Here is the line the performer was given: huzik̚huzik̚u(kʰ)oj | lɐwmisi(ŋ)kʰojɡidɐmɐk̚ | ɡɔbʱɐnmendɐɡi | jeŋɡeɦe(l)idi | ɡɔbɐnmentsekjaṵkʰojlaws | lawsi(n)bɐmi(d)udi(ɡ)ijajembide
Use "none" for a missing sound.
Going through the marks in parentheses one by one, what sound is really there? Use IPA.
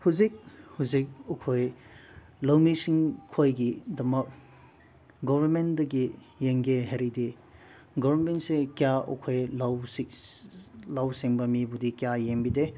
kʰ, ŋ, ɾ, ŋ, b, k

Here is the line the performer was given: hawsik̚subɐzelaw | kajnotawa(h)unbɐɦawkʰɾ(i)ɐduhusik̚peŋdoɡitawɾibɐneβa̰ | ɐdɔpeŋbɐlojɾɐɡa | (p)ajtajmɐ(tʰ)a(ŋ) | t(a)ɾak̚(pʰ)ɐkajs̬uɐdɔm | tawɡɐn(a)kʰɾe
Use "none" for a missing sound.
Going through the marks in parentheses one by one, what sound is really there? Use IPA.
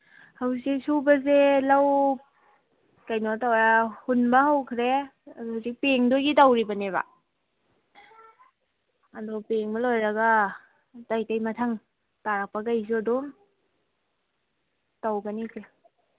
h, e, t, tʰ, ŋ, a, p, i

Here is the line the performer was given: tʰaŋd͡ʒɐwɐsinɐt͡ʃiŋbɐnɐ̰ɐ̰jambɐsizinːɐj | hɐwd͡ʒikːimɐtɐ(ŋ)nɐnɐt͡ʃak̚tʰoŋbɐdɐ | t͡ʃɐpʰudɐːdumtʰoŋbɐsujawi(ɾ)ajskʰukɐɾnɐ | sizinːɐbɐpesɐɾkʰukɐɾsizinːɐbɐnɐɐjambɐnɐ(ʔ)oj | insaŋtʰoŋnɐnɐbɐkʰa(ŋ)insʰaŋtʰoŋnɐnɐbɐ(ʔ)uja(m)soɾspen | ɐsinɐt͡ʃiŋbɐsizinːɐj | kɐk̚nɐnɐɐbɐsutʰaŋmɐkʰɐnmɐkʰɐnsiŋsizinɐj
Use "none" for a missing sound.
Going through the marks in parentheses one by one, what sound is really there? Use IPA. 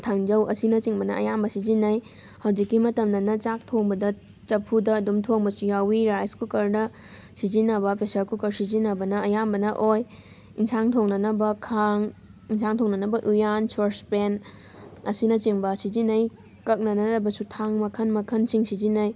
m, ɾ, ʔ, ŋ, ʔ, n

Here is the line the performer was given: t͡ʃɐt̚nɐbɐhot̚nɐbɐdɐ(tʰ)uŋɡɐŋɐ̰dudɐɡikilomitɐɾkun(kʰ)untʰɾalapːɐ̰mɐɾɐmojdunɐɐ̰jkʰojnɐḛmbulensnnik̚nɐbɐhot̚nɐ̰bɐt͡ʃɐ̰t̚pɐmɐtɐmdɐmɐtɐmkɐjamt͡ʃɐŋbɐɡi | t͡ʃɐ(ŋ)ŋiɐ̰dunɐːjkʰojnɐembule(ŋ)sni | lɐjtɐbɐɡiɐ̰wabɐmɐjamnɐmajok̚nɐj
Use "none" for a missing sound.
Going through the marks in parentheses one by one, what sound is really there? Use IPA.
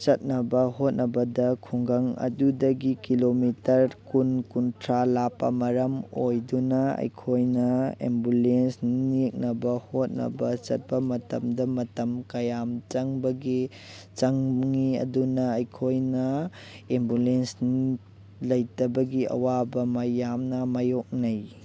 kʰ, k, ŋ, n

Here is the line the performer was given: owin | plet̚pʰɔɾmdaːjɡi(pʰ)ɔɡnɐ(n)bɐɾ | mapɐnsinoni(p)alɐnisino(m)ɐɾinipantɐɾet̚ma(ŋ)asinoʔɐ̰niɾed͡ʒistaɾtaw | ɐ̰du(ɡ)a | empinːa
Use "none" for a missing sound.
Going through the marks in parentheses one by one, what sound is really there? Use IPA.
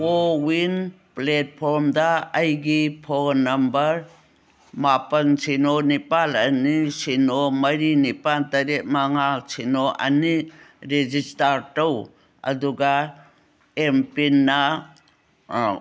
pʰ, m, p, m, ŋ, ɡ

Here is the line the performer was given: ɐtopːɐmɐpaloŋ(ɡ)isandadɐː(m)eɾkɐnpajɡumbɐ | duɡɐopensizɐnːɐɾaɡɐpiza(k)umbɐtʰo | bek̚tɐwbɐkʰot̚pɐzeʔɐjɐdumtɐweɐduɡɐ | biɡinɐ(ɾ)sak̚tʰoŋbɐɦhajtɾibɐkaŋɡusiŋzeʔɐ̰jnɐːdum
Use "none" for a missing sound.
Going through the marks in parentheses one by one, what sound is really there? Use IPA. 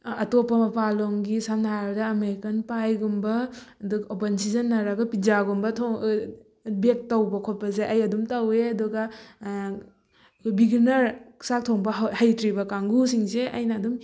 ɡ, m, ɡ, ɾ

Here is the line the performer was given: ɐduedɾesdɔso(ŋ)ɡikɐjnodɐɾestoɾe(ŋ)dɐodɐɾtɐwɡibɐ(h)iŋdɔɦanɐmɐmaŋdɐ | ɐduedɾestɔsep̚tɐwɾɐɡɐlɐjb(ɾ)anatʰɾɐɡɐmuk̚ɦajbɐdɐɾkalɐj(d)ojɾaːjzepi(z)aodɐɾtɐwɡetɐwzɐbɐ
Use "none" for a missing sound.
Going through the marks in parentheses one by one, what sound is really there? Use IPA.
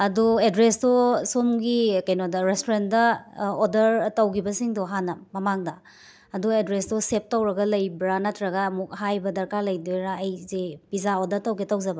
m, n, s, ɾ, d, z

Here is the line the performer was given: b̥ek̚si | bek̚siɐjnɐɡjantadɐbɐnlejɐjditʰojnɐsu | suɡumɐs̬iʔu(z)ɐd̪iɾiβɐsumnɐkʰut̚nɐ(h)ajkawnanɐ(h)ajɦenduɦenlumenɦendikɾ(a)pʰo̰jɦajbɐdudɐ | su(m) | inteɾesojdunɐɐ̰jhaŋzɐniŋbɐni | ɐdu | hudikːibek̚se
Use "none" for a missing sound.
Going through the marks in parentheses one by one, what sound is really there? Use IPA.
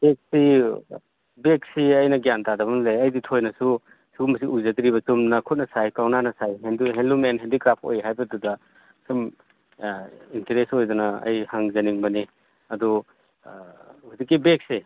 z, s, s, a, m

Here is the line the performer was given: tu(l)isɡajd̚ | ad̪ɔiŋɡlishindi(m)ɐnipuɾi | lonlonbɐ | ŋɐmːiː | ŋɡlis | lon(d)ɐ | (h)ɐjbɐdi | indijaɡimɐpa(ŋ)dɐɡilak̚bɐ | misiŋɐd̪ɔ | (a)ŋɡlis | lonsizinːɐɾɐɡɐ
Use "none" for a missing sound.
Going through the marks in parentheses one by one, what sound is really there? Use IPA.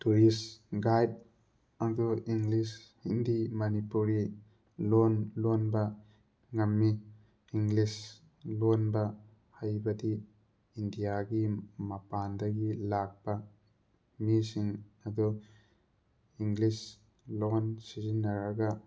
ɾ, m, b, h, n, i

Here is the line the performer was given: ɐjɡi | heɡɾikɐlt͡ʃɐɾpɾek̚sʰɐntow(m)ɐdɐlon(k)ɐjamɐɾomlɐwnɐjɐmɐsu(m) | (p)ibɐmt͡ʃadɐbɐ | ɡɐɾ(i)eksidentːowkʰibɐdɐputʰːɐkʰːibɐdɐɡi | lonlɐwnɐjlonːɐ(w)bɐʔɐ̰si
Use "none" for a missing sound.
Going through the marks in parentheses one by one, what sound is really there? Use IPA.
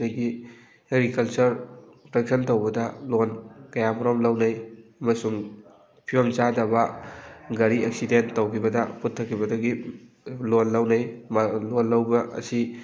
b, k, ŋ, pʰ, i, w

